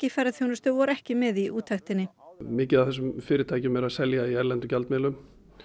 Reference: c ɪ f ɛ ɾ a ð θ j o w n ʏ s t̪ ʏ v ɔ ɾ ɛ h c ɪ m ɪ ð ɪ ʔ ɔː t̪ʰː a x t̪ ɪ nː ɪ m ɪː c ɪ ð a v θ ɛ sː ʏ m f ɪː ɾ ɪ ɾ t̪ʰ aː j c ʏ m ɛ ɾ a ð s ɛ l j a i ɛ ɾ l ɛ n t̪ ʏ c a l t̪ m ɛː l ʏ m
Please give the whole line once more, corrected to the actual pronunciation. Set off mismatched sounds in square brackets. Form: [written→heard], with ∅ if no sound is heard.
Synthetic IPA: c ɪ f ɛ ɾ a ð θ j o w n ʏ s t̪ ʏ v ɔ ɾ ɛ h c ɪ m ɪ ð [ɪ→i] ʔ [ɔː→uː] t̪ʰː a x t̪ ɪ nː ɪ m ɪː c ɪ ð a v θ ɛ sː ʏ m f ɪː ɾ ɪ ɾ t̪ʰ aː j c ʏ m ɛ ɾ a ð s ɛ l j a i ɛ ɾ l ɛ n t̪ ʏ c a l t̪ m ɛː l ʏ m